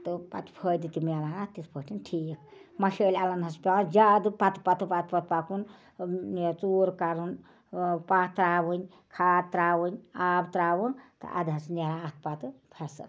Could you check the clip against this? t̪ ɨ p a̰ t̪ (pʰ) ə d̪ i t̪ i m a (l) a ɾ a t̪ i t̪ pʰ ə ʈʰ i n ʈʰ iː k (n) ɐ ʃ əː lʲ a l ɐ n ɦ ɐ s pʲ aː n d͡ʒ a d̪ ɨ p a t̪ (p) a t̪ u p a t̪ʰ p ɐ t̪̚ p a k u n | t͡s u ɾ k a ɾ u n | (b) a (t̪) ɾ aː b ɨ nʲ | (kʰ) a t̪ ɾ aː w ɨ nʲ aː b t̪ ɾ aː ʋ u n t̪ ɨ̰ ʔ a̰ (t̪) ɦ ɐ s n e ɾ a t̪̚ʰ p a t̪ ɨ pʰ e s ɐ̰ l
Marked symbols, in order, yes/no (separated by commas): yes, yes, no, yes, no, yes, yes, no